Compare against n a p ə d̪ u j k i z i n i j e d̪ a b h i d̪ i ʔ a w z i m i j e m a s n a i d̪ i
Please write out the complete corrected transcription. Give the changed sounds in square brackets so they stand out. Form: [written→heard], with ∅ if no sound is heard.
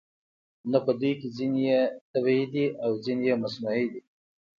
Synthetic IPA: n a p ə d̪ u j k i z i n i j e [d̪→t̪] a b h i d̪ i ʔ a w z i [m→n] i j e m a s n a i d̪ i